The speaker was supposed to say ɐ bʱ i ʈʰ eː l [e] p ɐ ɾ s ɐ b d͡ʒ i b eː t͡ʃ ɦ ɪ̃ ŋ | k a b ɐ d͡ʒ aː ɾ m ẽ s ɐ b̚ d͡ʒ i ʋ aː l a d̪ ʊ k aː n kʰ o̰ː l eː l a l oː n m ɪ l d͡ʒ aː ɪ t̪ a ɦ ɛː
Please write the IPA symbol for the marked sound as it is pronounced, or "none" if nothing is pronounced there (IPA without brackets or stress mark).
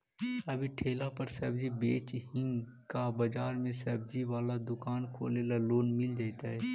a